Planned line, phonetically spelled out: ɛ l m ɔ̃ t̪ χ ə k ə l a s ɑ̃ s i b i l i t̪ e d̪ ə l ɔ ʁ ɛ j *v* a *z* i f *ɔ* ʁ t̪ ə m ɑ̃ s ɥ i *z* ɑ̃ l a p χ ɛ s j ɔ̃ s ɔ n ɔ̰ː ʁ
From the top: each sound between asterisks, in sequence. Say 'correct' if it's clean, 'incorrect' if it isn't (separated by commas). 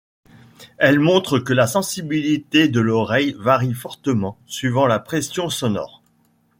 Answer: correct, incorrect, correct, incorrect